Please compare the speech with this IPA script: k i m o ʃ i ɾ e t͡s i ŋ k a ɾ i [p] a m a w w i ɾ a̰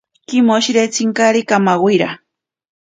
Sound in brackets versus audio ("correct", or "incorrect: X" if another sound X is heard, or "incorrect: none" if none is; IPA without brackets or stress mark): incorrect: k